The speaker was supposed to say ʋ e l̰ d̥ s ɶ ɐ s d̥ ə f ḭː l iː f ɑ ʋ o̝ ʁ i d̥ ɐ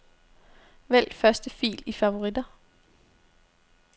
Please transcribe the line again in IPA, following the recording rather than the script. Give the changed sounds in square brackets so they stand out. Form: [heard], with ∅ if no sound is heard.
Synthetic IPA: ʋ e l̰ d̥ [f] ɶ ɐ s d̥ ə f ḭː l [i] f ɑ ʋ o̝ ʁ i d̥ ɐ